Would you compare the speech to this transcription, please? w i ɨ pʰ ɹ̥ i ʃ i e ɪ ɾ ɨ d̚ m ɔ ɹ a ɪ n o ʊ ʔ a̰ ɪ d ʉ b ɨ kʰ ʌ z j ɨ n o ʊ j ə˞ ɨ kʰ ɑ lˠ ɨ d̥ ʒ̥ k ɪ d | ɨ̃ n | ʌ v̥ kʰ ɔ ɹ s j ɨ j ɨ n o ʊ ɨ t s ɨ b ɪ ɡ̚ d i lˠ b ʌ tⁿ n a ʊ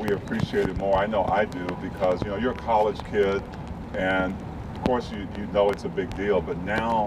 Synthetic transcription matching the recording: w i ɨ pʰ ɹ̥ i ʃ i e ɪ ɾ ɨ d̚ m ɔ ɹ a ɪ n o ʊ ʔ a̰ ɪ d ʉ b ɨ kʰ ʌ z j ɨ n o ʊ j ə˞ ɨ kʰ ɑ lˠ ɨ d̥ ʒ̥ kʰ ɪ d | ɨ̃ n | ʌ v̥ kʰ ɔ ɹ s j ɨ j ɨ n o ʊ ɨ t s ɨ b ɪ ɡ̚ d i lˠ b ʌ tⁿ n a ʊ